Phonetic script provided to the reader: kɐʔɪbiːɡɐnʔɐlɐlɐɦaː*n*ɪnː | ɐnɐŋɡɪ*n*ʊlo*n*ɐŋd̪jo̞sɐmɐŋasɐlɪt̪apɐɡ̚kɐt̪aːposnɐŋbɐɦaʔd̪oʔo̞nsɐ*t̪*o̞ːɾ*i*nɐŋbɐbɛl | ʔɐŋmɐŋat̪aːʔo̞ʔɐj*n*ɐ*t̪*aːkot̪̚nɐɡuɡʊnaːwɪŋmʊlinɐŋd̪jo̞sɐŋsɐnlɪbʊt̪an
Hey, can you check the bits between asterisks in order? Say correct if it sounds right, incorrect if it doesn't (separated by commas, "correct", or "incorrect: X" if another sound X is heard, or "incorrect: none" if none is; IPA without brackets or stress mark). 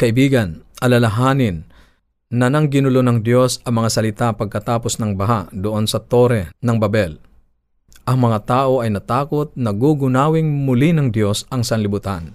correct, correct, correct, correct, incorrect: ɛ, correct, correct